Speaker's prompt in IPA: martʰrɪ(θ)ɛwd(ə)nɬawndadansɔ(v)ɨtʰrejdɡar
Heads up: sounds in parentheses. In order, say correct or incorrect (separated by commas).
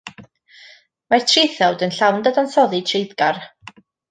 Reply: correct, correct, incorrect